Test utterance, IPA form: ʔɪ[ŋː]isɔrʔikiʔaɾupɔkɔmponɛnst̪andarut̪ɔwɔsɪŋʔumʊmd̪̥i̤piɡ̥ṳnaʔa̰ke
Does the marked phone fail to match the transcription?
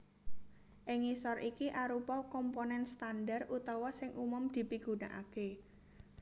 yes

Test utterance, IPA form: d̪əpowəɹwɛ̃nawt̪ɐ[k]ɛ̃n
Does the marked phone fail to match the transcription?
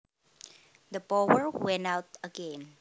yes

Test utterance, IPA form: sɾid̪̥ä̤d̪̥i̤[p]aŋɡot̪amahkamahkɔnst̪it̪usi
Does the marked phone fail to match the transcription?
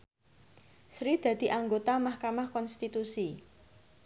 yes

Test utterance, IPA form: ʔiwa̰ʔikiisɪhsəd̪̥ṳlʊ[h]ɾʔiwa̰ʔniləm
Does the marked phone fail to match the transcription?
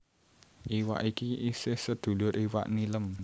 yes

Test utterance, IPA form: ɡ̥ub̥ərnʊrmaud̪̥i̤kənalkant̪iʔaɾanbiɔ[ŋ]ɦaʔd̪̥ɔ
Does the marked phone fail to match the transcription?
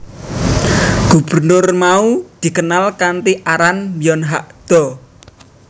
yes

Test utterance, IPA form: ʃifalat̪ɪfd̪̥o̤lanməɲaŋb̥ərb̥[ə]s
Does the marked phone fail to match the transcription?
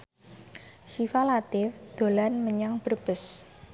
no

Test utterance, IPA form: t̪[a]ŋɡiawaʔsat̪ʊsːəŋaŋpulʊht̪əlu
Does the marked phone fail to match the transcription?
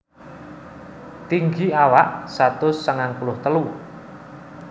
yes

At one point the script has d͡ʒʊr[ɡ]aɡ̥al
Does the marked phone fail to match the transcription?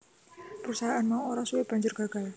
no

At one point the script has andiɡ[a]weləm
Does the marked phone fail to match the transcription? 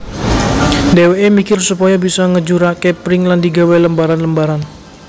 no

